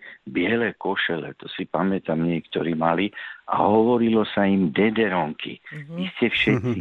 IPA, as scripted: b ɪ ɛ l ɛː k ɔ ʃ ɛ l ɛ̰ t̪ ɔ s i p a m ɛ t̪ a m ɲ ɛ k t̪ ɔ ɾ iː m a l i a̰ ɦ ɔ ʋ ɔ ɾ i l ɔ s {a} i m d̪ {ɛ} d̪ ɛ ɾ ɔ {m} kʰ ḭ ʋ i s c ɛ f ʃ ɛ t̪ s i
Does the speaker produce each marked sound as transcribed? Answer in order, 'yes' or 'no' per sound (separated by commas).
yes, yes, no